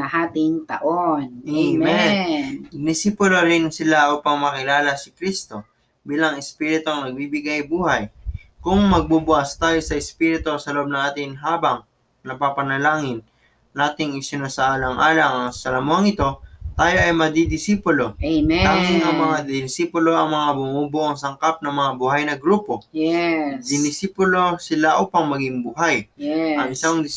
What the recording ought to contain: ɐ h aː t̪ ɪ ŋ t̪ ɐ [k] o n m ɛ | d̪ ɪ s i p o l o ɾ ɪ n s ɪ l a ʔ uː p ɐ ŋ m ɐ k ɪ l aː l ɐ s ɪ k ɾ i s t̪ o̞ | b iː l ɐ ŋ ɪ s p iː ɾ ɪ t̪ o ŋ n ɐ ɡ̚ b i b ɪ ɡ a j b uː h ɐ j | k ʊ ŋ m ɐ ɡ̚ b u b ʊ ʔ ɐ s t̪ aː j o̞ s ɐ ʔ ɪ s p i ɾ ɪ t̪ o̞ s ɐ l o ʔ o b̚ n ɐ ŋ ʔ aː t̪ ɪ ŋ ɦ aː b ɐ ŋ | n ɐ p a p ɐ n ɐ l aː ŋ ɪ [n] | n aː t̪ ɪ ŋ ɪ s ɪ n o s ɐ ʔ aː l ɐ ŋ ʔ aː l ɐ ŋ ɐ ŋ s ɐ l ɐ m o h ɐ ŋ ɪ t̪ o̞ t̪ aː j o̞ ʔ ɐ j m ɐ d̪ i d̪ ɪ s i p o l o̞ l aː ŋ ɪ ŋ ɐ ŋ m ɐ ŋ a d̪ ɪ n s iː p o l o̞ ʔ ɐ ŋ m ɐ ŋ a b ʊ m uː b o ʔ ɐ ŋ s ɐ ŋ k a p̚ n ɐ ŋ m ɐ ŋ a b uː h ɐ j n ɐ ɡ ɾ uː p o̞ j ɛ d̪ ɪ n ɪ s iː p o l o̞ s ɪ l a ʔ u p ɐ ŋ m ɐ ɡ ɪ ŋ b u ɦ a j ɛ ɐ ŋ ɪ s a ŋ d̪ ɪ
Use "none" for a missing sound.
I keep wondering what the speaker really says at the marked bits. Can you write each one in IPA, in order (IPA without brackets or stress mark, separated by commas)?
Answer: ʔ, n